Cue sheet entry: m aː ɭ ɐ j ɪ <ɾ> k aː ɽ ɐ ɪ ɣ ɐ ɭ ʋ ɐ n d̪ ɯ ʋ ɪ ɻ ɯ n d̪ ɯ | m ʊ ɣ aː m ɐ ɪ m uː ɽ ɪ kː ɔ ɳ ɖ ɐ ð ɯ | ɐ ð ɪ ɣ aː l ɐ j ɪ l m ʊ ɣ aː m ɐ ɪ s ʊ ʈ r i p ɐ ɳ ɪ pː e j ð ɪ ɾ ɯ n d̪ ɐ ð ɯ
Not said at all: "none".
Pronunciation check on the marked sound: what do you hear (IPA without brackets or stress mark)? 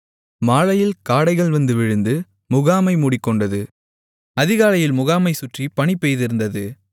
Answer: l